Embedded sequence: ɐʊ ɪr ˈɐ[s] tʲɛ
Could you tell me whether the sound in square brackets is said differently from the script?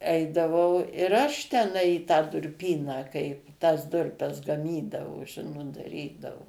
yes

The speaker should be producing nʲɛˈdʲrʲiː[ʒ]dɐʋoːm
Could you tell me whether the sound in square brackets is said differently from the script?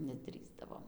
yes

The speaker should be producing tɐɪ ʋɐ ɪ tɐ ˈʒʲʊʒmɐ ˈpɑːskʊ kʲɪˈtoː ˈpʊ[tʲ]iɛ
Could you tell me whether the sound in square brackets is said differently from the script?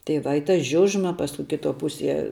yes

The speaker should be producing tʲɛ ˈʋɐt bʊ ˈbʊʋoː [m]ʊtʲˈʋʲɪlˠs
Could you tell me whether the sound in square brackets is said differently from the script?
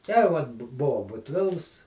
yes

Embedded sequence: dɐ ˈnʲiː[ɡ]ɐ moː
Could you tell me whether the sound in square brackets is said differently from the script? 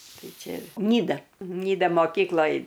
yes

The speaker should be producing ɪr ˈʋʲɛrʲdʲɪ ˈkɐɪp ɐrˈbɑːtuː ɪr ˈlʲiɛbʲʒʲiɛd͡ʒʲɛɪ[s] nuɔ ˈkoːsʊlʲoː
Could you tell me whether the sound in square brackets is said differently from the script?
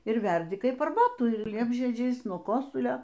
no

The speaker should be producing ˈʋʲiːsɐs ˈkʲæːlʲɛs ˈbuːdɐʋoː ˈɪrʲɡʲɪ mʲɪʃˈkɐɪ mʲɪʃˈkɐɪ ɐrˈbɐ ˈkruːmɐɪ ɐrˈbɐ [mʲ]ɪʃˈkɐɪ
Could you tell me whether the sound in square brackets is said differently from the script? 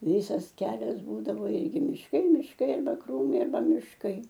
no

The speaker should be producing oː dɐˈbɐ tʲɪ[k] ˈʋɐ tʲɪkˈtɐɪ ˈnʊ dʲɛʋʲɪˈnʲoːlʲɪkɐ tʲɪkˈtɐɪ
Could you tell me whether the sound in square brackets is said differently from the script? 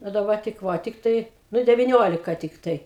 no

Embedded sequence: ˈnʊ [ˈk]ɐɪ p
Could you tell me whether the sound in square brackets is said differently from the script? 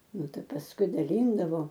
yes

